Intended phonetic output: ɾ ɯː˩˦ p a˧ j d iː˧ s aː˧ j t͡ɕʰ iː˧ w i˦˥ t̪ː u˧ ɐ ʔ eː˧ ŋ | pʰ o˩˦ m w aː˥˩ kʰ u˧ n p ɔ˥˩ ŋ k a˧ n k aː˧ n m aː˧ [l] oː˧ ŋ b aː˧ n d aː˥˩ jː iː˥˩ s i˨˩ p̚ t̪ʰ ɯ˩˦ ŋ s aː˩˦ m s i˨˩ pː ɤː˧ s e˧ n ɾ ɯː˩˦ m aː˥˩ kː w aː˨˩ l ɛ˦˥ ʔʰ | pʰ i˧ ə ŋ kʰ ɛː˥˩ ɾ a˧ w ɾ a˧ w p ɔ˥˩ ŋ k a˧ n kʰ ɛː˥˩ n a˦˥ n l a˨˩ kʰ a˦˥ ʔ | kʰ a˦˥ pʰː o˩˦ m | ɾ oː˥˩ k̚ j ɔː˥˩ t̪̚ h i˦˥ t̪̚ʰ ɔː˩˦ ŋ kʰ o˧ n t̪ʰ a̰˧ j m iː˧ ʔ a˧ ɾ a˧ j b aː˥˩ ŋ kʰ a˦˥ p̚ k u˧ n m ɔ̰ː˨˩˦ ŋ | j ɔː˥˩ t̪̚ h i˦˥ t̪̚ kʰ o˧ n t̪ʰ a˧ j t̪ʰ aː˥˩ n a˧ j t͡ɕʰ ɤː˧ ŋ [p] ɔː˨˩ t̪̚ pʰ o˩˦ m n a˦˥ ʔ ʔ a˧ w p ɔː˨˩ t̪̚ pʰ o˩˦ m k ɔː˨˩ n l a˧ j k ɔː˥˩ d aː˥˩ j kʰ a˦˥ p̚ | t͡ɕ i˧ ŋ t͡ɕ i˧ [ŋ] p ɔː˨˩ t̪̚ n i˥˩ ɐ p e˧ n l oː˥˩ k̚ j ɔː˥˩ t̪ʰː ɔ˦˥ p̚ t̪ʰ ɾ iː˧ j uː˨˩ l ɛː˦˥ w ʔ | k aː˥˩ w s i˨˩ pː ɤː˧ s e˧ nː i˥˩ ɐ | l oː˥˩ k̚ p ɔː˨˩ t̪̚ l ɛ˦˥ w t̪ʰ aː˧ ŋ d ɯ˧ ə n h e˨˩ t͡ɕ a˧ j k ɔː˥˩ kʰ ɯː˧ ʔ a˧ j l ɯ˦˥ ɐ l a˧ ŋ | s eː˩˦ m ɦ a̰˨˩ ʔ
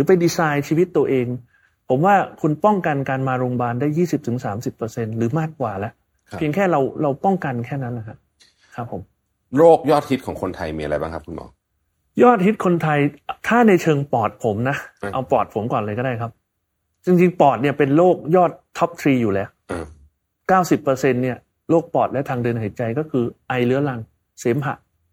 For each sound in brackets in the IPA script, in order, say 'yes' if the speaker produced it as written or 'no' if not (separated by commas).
no, yes, yes